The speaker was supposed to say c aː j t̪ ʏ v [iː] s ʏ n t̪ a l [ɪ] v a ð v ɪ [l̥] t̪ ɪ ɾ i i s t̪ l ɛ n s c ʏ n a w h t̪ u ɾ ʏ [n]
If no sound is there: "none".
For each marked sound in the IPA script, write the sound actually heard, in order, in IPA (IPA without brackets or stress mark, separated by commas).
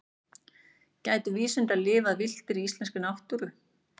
iː, ɪː, l̥, none